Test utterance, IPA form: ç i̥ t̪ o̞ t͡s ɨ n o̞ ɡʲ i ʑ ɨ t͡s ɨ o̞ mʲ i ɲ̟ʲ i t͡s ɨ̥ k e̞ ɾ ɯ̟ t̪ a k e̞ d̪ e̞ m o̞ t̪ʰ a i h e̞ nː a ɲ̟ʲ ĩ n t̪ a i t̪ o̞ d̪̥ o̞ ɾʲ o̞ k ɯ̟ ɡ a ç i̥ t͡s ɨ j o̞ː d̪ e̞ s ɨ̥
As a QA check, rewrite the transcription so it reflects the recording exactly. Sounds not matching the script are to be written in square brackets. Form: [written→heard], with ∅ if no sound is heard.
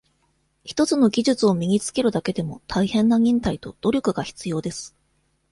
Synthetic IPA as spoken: ç i̥ t̪ o̞ t͡s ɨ n o̞ ɡʲ i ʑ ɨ t͡s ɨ o̞ mʲ i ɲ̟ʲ i t͡s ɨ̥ k e̞ ɾ ɯ̟ [t̪→d̪] a k e̞ d̪ e̞ m o̞ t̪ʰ a i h [e̞→ẽ̞] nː a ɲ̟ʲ ĩ n t̪ a i t̪ o̞ d̪̥ o̞ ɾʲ o̞ k ɯ̟ ɡ a ç i̥ t͡s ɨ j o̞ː d̪ e̞ s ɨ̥